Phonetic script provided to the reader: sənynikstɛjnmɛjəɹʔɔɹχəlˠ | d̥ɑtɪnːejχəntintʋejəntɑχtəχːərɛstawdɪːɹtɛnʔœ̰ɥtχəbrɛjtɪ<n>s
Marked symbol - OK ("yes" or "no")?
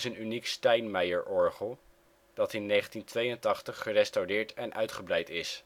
no